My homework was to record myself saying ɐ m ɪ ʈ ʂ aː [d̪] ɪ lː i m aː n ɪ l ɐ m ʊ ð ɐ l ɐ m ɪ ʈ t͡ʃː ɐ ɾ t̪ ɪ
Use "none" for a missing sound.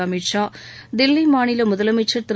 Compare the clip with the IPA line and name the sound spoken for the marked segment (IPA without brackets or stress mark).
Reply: d̪